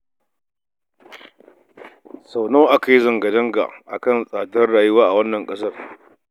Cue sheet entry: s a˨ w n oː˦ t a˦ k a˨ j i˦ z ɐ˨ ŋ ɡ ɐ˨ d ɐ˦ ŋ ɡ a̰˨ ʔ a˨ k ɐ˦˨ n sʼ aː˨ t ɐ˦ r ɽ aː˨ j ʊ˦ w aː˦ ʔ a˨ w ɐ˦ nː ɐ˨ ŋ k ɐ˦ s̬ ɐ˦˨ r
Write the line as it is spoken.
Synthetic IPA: s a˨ w n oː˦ ʔ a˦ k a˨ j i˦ z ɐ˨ ŋ ɡ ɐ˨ d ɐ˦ ŋ ɡ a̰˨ ʔ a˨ k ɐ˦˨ n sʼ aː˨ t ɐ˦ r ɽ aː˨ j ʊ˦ w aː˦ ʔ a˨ w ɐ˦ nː ɐ˨ ŋ kʼ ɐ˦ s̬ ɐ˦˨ r

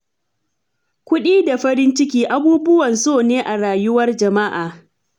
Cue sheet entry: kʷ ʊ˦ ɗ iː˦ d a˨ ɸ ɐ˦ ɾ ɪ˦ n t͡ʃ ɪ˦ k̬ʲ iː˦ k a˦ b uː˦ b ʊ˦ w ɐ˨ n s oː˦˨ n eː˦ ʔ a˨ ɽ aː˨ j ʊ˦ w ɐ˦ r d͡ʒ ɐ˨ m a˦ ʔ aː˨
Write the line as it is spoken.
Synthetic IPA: kʷ ʊ˦ ɗ iː˦ d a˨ ɸ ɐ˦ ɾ ɪ˦ n t͡ʃ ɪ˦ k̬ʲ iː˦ ʔ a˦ b uː˦ b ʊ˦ w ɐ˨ n s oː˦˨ n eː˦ ʔ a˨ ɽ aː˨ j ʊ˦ w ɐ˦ r d͡ʒ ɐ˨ m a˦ ʔ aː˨

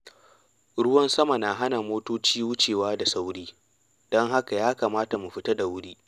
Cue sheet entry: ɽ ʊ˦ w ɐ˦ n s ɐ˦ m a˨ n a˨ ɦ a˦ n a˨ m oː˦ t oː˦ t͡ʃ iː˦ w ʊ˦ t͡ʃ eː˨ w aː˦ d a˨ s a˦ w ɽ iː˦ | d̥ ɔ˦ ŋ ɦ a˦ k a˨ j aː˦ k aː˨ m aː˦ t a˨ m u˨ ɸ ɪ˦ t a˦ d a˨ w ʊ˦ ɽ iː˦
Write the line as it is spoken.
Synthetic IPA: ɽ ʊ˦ w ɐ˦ n s ɐ˦ m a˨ n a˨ ɦ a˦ n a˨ m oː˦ t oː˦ t͡ʃ iː˦ w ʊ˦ t͡ʃ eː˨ w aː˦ d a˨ s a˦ w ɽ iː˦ | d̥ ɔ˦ ŋ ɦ a˦ k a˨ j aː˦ k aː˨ m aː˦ t a˨ m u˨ ɸ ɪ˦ t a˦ d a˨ w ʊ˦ ɽ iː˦

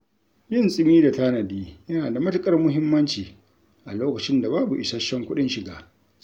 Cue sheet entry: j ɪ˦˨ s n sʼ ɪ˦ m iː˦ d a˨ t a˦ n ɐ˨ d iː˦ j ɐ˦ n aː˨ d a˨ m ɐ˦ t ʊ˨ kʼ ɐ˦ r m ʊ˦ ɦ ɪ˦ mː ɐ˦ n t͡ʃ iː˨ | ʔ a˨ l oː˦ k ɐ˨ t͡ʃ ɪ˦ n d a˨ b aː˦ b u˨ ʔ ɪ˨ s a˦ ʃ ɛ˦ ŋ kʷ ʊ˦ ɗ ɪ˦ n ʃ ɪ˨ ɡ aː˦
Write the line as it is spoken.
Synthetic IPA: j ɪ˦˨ n sʼ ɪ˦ m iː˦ d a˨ t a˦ n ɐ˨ d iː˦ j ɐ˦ n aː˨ d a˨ m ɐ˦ t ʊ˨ kʼ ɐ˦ r m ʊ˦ ɦ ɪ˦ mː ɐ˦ n t͡ʃ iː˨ | ʔ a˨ l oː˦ k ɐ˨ t͡ʃ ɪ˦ n d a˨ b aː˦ b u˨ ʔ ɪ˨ s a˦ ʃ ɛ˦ ŋ kʷ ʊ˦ ɗ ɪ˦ n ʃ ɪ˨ ɡ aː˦

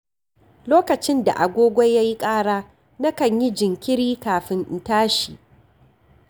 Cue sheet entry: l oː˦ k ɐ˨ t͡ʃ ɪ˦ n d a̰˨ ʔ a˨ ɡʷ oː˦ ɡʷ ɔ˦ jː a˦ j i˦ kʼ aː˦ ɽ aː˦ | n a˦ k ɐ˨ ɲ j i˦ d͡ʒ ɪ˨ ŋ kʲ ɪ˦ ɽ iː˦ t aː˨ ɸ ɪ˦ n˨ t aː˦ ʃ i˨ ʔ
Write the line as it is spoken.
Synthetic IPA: l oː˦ k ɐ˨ t͡ʃ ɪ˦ n d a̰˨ ʔ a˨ ɡʷ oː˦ ɡʷ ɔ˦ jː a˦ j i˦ kʼ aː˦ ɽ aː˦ | n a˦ k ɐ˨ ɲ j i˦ d͡ʒ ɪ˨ ŋ kʲ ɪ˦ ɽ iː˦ k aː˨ ɸ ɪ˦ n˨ t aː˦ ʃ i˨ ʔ

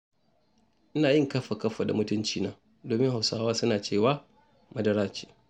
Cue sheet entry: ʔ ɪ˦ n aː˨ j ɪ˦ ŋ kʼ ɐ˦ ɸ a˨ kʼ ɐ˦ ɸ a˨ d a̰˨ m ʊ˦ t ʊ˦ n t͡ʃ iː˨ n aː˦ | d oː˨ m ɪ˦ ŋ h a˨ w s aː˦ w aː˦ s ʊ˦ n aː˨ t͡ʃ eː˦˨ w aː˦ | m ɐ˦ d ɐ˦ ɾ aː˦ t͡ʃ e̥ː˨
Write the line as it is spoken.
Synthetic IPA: ʔ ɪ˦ n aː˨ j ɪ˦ ŋ k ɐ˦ ɸ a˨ k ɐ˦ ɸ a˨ d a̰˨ m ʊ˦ t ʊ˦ n t͡ʃ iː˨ n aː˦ | d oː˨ m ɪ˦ ŋ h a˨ w s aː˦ w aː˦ s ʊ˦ n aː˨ t͡ʃ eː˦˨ w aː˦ | m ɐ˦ d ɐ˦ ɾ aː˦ t͡ʃ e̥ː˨

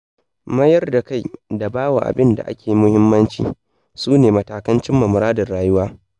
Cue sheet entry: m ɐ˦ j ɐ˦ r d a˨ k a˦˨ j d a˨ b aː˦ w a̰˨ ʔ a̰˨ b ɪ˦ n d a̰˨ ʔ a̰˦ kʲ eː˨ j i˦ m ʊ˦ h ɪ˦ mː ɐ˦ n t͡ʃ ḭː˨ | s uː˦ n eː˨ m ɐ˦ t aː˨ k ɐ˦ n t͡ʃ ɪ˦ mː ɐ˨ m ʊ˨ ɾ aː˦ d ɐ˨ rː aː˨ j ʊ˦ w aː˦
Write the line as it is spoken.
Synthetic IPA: m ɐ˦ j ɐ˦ r d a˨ k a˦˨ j d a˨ b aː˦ w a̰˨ ʔ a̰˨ b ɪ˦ n d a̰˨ ʔ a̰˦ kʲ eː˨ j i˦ m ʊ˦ h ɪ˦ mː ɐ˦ n t͡ʃ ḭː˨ | s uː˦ n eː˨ m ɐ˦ t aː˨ k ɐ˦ n t͡ʃ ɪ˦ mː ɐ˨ m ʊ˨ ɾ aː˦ d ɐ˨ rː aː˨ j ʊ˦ w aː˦

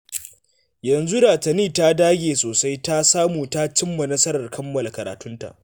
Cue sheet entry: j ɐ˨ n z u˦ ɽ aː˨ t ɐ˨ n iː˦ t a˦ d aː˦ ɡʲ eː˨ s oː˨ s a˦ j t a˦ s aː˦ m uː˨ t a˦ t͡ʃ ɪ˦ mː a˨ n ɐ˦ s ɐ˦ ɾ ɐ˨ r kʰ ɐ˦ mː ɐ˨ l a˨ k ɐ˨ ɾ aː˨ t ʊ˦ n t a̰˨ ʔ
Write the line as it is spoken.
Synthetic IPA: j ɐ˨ n z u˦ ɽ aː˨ t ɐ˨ n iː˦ t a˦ d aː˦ ɡʲ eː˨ s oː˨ s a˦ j t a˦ s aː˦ m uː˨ t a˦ t͡ʃ ɪ˦ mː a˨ n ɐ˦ s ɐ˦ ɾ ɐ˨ r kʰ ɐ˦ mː ɐ˨ l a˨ k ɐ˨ ɾ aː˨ t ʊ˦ n t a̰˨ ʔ

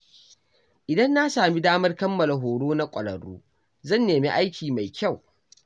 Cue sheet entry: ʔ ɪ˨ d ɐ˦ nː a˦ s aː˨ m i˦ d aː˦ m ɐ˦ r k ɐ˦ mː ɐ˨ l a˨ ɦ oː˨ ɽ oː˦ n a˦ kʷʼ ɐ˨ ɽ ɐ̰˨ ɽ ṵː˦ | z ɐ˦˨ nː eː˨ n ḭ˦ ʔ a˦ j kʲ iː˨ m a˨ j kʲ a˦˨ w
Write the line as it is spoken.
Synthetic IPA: ʔ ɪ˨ d ɐ˦ nː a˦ s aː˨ m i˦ d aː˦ m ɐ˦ r k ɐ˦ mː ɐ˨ l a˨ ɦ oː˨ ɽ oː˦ n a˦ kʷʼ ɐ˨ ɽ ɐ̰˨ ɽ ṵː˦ | z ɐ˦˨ nː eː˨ m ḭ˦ ʔ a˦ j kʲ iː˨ m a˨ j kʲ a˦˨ w

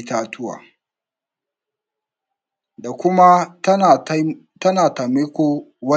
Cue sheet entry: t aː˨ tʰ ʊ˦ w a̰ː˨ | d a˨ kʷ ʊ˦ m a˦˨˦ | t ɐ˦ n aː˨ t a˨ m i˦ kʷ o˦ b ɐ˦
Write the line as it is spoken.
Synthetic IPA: t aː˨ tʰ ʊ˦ w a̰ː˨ | d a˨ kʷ ʊ˦ m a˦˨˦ | t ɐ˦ n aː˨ t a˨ m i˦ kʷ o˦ w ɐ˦

